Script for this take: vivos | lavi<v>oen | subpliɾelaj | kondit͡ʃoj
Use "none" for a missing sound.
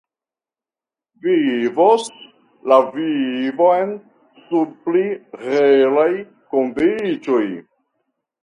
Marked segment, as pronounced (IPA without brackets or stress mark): v